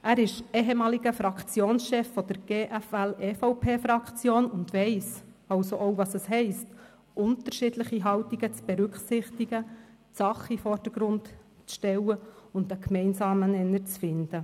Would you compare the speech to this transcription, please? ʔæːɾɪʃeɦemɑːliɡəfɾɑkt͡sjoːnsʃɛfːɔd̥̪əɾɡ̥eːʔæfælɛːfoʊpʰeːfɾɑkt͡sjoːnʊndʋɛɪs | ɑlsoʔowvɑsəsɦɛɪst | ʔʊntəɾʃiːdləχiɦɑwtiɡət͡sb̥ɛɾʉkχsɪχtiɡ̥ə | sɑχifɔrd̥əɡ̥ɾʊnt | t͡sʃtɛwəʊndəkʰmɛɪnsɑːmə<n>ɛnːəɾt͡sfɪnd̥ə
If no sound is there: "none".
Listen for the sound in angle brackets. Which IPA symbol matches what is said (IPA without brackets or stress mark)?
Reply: n